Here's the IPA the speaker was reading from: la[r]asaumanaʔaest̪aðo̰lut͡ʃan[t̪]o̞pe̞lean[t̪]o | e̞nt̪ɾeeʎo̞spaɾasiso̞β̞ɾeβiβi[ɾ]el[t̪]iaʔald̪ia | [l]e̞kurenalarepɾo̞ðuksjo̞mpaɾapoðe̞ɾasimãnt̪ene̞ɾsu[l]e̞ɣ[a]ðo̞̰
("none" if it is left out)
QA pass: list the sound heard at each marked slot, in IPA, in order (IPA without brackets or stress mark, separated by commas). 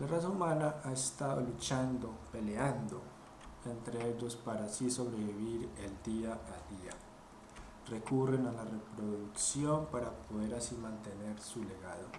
r, d̪, d̪, ɾ, d̪, r, l, a